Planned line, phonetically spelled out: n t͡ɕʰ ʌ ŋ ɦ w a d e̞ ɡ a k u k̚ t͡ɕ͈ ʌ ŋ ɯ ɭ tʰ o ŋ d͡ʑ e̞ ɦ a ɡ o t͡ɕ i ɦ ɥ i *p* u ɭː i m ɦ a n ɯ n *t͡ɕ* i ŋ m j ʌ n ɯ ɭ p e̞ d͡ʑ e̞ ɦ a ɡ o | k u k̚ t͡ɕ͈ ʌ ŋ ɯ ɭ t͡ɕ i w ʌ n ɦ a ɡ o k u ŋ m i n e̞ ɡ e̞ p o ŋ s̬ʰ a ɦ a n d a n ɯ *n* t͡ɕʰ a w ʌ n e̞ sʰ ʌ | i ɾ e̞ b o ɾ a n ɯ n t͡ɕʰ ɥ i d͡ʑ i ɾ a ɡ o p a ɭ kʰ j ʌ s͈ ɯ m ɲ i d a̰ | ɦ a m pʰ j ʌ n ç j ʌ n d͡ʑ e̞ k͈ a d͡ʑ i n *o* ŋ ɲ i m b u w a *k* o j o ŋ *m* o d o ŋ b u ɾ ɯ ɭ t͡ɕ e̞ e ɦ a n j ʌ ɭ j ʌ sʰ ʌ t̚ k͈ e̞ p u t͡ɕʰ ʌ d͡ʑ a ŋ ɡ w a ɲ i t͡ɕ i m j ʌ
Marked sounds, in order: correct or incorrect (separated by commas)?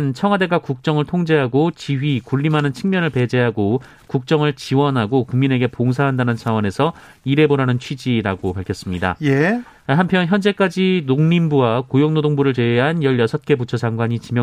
incorrect, incorrect, correct, correct, correct, incorrect